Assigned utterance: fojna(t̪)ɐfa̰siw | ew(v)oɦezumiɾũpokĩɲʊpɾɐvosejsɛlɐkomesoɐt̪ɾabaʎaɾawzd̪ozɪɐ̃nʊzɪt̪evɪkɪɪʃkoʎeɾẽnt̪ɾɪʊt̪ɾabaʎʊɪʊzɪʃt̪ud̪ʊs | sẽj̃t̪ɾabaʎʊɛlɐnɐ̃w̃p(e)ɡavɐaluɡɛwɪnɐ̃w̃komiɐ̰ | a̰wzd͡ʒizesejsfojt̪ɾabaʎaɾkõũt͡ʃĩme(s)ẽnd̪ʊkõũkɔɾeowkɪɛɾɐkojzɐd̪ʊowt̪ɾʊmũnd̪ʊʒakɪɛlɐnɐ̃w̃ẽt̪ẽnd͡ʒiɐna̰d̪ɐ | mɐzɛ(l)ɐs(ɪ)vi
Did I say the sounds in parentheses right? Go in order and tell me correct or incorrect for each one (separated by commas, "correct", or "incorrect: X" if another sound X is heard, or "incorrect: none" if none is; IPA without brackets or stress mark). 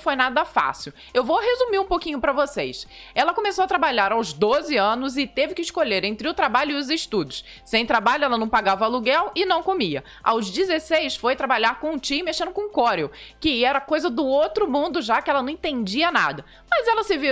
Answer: incorrect: d̪, correct, incorrect: a, incorrect: ʃ, correct, correct